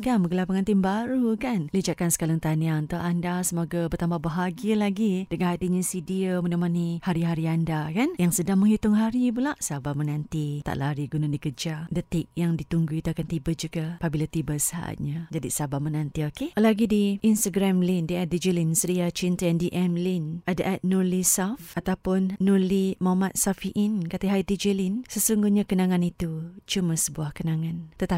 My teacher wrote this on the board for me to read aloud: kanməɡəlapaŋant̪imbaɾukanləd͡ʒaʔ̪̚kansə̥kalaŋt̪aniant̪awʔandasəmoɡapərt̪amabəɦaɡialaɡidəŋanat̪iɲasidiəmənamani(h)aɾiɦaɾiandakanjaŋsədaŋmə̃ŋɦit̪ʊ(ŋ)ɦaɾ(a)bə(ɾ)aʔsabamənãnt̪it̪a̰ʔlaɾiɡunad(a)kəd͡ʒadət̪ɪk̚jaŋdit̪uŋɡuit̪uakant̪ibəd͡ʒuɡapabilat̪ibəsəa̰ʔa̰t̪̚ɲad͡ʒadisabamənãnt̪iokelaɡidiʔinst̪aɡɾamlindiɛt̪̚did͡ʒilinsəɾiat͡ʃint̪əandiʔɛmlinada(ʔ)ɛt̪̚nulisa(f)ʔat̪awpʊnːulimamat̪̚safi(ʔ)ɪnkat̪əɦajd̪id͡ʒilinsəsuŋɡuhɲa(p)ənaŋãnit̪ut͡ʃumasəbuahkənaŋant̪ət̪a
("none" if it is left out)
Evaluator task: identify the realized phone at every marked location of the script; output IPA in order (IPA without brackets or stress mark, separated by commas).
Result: h, ŋ, i, l, i, ʔ, f, ʔ, k